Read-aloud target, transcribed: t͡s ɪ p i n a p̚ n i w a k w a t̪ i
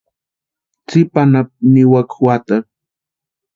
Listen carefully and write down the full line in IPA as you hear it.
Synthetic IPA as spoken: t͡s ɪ p a n a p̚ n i w a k w a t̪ a